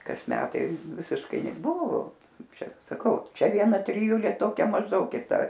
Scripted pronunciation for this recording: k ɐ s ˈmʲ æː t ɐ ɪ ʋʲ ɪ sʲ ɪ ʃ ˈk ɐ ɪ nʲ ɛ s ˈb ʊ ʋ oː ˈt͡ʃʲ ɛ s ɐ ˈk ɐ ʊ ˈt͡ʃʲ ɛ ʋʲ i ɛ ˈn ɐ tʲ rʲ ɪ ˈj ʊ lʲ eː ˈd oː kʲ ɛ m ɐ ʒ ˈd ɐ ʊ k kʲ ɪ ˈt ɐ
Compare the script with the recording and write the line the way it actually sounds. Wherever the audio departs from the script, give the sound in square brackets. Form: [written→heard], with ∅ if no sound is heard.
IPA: k ɐ s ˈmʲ æː t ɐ ɪ ʋʲ ɪ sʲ ɪ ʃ ˈk ɐ ɪ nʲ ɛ [s→∅] ˈb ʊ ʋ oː ˈt͡ʃʲ ɛ s ɐ ˈk ɐ ʊ ˈt͡ʃʲ ɛ ʋʲ i ɛ ˈn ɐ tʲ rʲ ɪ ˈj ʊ lʲ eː [ˈd→ˈt] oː kʲ ɛ m ɐ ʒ ˈd ɐ ʊ k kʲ ɪ ˈt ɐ